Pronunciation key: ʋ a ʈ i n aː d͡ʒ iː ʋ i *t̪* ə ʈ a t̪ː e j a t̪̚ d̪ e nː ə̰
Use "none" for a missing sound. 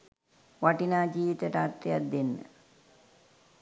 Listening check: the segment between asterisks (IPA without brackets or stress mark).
t̪